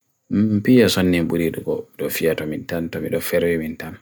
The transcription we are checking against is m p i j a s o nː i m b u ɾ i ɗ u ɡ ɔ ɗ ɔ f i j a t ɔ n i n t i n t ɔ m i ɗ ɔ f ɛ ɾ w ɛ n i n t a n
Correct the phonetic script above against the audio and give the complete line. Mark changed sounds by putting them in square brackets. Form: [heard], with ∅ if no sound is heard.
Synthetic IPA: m p i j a s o nː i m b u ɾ i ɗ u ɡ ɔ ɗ ɔ f i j a t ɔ [m] i n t [a] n t ɔ m i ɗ ɔ f ɛ ɾ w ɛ [m] i n t a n

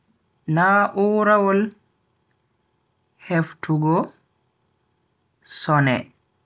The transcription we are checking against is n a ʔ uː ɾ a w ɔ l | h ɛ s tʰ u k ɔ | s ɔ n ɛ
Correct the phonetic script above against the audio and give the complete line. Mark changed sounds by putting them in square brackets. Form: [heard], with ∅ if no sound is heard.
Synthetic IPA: n a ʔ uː ɾ a w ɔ l | h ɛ [f] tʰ u [ɡ] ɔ | s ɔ n ɛ

